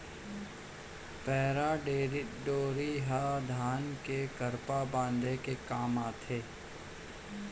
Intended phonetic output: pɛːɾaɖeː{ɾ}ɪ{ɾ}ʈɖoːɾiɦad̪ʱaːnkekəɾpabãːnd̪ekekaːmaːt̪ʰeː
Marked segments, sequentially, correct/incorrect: correct, incorrect: none

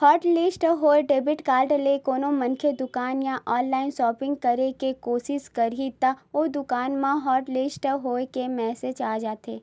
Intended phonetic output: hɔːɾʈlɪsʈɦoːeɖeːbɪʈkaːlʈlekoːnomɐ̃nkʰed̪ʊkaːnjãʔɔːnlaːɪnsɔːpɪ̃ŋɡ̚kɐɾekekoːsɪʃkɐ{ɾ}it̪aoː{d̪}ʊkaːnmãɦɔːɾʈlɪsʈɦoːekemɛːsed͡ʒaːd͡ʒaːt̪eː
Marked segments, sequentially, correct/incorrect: correct, correct

